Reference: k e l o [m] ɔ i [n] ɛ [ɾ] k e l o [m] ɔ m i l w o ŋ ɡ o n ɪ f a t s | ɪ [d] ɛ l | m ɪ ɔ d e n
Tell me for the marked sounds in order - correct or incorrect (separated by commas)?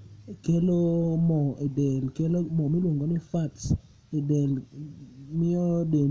correct, incorrect, incorrect, correct, correct